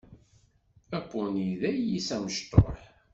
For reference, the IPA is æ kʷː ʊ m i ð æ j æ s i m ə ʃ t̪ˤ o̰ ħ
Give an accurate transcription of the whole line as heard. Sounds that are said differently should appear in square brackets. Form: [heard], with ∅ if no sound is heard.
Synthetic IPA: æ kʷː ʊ [n] i ð æ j [i] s [æ] m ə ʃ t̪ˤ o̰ ħ

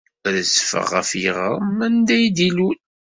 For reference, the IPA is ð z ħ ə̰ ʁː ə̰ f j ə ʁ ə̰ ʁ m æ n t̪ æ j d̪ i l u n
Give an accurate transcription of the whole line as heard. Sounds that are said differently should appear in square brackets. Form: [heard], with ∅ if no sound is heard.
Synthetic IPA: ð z [f] ə̰ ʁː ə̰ f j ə ʁ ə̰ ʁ m æ n [d̪] æ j d̪ i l u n

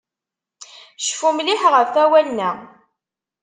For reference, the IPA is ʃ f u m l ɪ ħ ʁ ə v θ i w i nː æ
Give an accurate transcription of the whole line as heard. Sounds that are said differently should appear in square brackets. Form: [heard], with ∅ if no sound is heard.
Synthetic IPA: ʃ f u m l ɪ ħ ʁ ə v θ [æ] w [æ] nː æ

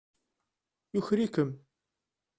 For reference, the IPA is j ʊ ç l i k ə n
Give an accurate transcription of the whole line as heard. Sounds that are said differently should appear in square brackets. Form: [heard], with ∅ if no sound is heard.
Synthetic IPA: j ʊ ç [ɾ] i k ə [m]

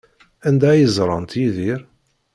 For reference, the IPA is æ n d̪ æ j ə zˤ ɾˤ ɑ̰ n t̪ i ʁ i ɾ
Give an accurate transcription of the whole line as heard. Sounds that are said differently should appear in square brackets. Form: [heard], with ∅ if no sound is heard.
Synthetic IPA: æ n d̪ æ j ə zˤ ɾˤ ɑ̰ n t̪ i [ð] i ɾ

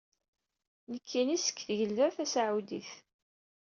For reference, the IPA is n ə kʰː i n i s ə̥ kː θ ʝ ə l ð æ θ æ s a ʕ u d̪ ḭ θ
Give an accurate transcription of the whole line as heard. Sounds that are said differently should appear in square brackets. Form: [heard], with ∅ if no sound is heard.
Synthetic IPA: n ə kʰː i n i s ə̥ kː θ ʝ ə l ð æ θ æ s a ʕ u d̪ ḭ θ

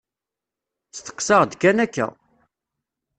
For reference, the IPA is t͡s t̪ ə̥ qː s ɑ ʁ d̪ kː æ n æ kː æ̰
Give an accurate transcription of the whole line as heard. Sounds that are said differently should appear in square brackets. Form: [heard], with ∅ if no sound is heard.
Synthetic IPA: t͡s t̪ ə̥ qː s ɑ ʁ d̪ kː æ n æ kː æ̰

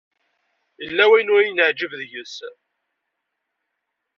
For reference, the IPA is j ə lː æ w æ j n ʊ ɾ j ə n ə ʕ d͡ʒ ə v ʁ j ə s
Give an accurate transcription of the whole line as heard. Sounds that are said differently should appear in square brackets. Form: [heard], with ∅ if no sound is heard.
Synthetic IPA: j ə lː æ w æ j n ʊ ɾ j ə n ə ʕ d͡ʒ ə v [ð] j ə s

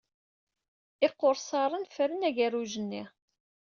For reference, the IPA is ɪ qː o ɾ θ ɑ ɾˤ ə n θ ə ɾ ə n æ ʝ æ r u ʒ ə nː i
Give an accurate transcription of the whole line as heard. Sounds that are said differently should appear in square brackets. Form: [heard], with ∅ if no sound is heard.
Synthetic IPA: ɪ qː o ɾ [s] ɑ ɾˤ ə n [f] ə ɾ ə n æ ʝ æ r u ʒ ə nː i

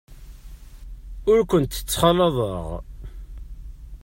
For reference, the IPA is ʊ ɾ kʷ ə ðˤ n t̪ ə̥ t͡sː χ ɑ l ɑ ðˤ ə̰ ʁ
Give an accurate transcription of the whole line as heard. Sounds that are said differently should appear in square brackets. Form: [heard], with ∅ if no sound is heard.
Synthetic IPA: ʊ ɾ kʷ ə [∅] n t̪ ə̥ t͡sː χ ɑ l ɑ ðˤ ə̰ ʁ

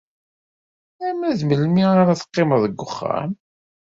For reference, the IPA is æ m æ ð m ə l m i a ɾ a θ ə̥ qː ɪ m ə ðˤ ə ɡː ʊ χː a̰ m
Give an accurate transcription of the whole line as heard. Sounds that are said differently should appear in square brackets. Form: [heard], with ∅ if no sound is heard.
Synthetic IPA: æ m æ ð m ə l m i a ɾ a θ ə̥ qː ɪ m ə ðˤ ə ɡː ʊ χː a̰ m

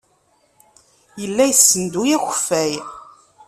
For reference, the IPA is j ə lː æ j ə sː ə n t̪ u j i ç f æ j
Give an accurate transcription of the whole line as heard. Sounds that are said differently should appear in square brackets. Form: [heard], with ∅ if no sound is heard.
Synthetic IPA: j ə lː æ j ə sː ə n [d̪] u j [æ] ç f æ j

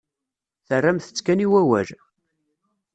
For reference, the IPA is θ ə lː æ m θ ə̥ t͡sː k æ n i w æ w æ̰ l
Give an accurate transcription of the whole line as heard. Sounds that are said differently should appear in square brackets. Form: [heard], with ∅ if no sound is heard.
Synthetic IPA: θ ə [rː] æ m θ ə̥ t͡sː k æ n i w æ w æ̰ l

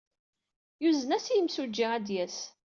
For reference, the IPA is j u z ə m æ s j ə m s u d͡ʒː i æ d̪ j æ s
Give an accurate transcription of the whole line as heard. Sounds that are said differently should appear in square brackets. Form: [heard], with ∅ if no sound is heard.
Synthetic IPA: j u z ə [n] æ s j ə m s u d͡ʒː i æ d̪ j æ s

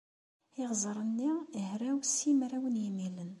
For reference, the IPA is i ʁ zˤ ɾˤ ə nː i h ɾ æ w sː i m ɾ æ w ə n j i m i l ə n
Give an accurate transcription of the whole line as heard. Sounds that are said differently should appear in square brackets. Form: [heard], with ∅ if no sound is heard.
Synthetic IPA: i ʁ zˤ ɾˤ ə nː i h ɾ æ w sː i m ɾ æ w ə n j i m i l ə n

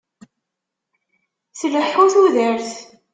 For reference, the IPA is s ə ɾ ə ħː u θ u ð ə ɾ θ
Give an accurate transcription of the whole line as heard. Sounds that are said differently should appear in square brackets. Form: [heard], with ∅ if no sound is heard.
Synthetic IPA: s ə [l] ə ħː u θ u ð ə ɾ θ

